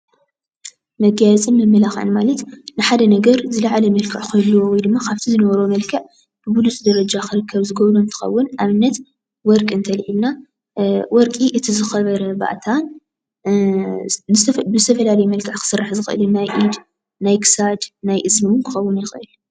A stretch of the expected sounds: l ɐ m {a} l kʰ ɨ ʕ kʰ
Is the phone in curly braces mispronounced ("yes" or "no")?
yes